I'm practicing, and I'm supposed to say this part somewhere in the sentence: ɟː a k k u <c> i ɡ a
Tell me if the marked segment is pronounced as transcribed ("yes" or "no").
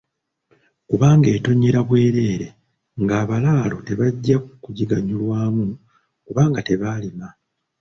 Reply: no